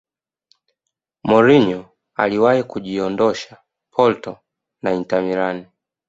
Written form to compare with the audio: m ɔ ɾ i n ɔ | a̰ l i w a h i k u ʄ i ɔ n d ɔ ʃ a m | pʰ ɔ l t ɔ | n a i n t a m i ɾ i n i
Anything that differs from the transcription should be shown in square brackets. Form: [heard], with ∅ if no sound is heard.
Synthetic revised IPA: m ɔ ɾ i [ɲ] ɔ | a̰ l i w a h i k u ʄ i ɔ n d ɔ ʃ a [∅] | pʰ ɔ l t ɔ | n a i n t a m i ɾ [a] n i